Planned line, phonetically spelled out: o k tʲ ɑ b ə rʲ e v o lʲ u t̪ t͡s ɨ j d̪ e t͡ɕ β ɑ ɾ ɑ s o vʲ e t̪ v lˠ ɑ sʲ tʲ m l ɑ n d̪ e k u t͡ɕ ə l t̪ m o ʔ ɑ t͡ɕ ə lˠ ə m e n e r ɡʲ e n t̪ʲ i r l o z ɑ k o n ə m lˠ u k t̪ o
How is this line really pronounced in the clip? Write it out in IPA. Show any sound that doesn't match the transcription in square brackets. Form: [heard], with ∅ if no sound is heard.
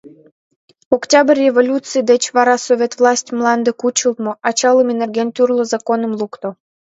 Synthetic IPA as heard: o k tʲ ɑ b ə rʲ e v o lʲ u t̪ t͡s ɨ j d̪ e t͡ɕ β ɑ ɾ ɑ s o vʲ e t̪ v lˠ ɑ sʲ tʲ m l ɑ n d̪ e k u t͡ɕ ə l t̪ m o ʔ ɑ t͡ɕ [ɑ] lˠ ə m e n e r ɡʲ e n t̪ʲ [y] r l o z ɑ k o n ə m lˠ u k t̪ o